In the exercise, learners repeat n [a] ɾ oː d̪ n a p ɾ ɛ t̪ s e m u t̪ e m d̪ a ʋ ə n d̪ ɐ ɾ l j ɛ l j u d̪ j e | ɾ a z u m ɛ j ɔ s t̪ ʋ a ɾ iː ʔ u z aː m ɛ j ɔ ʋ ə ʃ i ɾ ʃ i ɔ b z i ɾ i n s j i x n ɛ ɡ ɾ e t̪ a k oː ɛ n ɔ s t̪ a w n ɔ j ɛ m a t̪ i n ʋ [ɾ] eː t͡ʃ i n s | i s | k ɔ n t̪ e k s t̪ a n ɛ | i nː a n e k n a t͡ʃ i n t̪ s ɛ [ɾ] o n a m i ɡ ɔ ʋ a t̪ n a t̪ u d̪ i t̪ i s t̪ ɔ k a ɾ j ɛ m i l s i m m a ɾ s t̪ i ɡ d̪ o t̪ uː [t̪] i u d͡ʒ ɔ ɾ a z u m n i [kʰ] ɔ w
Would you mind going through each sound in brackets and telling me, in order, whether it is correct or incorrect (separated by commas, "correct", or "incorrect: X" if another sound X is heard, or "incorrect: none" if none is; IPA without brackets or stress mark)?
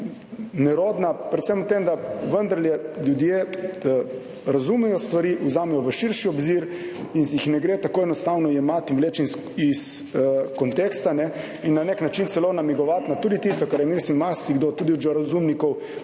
incorrect: ɛ, incorrect: l, incorrect: l, incorrect: d̪, incorrect: k